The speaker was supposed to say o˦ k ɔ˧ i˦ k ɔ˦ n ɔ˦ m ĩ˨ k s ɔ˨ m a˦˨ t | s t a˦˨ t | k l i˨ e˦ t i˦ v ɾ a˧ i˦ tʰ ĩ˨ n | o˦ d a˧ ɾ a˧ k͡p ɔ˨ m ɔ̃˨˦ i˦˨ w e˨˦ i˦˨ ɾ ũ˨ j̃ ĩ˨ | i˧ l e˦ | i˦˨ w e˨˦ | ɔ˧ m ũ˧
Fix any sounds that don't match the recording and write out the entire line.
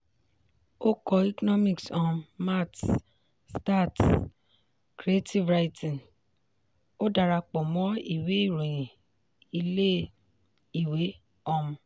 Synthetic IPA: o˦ k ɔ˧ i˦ k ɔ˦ n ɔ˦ m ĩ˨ k s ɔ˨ m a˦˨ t | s t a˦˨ t | k ɾ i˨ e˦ t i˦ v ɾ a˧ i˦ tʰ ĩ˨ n | o˦ d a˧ ɾ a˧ k͡p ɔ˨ m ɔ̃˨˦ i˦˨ w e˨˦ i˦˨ ɾ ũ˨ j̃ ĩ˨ | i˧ l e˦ | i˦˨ w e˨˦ | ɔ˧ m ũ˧